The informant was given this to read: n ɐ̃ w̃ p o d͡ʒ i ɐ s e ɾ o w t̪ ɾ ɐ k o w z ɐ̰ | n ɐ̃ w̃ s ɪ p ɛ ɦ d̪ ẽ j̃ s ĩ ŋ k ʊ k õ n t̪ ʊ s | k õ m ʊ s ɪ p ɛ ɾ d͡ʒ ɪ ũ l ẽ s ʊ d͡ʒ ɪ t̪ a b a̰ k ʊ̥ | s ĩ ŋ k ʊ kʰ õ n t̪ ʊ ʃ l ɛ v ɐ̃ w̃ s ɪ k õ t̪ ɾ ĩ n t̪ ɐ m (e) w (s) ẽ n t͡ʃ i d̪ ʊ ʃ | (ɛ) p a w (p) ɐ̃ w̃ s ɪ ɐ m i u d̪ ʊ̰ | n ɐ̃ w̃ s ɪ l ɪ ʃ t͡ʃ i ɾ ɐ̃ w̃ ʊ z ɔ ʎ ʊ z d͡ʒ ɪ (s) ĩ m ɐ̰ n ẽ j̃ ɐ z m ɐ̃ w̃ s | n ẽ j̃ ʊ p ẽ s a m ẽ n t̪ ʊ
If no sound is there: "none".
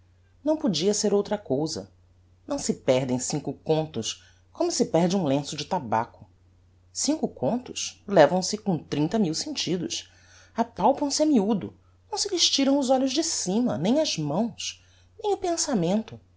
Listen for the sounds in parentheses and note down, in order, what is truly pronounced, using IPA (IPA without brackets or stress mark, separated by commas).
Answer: i, s, a, p, s